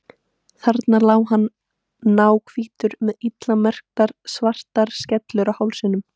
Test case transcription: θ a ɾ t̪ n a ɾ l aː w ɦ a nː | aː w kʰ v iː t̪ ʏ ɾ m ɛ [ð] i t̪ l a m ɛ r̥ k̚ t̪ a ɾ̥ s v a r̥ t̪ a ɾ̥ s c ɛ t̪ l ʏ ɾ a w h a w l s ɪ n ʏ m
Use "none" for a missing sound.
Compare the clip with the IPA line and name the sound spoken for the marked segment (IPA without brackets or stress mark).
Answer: ð